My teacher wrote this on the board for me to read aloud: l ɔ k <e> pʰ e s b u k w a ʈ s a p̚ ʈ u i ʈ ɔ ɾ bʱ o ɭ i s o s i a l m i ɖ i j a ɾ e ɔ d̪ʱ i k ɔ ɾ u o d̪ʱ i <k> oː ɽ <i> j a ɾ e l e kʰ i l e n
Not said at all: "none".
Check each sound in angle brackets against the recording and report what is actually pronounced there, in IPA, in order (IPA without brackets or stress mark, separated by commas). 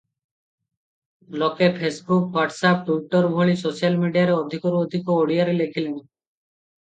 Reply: e, k, i